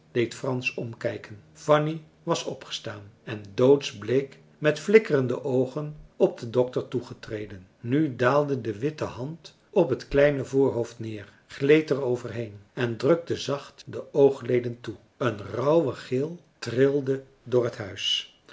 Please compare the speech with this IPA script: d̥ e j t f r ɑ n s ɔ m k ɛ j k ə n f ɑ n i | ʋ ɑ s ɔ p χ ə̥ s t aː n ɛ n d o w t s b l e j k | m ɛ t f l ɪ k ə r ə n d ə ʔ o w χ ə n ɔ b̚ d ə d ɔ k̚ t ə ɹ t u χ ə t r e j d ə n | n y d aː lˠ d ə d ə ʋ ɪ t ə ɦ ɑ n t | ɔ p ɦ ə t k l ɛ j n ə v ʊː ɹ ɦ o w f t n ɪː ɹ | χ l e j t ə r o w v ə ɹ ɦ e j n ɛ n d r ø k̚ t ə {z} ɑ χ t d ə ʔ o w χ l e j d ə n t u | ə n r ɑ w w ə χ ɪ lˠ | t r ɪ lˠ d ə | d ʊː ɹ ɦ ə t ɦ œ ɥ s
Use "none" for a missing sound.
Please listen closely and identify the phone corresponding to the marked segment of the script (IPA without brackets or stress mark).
z